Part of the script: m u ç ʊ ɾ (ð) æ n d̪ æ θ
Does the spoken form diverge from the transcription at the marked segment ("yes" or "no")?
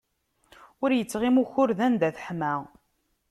no